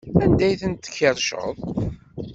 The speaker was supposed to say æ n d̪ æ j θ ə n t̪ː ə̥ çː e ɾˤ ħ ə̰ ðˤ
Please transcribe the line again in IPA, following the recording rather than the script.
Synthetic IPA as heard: æ n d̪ æ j θ ə n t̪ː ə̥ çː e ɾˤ ʃ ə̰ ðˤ